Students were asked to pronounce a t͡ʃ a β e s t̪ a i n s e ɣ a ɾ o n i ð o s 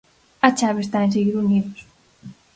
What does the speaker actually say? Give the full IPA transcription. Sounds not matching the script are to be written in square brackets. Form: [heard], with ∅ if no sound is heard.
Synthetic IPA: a t͡ʃ a β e s t̪ a [e] n s e ɣ [i] ɾ [u] n i ð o s

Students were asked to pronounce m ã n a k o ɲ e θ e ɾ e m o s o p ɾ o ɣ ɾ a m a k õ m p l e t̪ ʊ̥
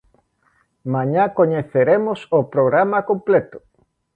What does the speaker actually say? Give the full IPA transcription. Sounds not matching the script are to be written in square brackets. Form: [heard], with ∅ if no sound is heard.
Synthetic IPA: m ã [ɲ] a k o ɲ e θ e ɾ e m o s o p ɾ o ɣ ɾ a m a k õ m p l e t̪ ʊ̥

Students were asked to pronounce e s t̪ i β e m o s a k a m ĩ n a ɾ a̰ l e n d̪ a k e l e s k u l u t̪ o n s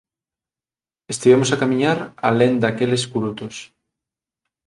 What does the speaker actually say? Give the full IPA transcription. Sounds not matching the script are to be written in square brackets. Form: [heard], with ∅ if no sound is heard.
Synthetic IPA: e s t̪ i β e m o s a k a m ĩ [ɲ] a ɾ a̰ l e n d̪ a k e l e s k u [ɾ] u t̪ o [∅] s

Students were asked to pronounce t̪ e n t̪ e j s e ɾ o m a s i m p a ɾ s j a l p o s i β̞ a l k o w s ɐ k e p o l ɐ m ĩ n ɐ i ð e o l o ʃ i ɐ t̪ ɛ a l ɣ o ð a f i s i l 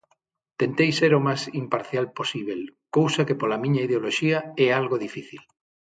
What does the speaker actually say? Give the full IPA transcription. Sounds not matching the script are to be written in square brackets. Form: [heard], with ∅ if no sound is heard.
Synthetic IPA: t̪ e n t̪ e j s e ɾ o m a s i m p a ɾ [θ] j a l p o s i β̞ [e] l k o w s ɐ k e p o l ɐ m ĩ [ɲ] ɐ i ð e o l o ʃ i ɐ [∅] ɛ a l ɣ o ð [i] f i [θ] i l

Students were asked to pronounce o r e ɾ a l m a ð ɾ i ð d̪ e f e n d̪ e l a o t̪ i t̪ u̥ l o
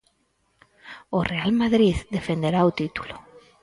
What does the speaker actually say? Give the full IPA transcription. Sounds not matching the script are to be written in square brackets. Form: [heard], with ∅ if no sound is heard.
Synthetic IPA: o r e [∅] a l m a ð ɾ i ð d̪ e f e n d̪ e [ɾ] a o t̪ i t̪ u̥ l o

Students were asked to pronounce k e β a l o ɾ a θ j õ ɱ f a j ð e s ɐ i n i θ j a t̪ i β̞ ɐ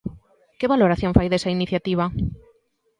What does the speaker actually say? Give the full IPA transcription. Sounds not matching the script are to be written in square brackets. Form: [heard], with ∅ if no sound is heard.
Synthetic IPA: k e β a l o ɾ a θ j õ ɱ f a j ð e s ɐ i n i θ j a t̪ i β̞ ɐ

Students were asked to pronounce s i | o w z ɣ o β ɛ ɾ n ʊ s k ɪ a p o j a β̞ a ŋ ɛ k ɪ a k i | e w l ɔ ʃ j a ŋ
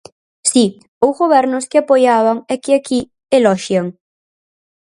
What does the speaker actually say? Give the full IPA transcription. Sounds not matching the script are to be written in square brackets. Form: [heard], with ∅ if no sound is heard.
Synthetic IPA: s i | o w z ɣ o β ɛ ɾ n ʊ s k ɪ a p o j a β̞ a ŋ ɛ k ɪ a k i | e [∅] l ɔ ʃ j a ŋ

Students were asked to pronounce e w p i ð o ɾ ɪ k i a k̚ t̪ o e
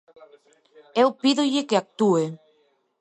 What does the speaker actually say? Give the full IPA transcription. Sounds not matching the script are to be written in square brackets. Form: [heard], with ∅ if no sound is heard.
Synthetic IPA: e w p i ð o [ʎ] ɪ k [e] a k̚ t̪ [u] e

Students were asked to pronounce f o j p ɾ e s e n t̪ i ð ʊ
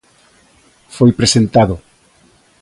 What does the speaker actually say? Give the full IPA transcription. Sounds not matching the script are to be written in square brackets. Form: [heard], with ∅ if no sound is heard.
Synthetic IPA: f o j p ɾ e s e n t̪ [a] ð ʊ

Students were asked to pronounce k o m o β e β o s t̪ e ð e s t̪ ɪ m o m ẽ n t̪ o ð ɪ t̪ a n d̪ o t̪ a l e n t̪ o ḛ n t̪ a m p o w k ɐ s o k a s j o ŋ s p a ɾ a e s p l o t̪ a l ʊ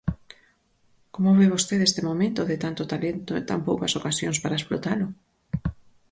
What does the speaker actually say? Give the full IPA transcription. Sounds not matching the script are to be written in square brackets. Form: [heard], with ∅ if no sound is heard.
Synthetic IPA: k o m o β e β o s t̪ e ð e s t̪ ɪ m o m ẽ n t̪ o ð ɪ t̪ a n [t̪] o t̪ a l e n t̪ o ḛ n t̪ a m p o w k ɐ s o k a s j o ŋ s p a ɾ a e s p l o t̪ a l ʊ

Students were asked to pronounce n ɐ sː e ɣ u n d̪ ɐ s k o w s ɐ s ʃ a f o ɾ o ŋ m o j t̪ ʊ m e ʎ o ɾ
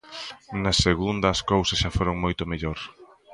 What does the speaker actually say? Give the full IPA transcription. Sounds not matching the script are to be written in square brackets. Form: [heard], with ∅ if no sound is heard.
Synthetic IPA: n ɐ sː e ɣ u n d̪ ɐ s k o w s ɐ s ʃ a f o ɾ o ŋ m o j t̪ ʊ m e ʎ o ɾ

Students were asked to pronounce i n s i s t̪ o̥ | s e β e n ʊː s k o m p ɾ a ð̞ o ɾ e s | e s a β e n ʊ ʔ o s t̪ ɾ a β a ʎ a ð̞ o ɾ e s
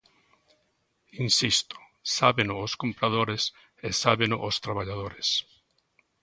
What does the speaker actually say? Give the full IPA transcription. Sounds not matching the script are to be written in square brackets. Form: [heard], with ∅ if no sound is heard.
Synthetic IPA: i n s i s t̪ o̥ | s [a] β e n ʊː s k o m p ɾ a ð̞ o ɾ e s | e s a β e n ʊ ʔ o s t̪ ɾ a β a ʎ a ð̞ o ɾ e s

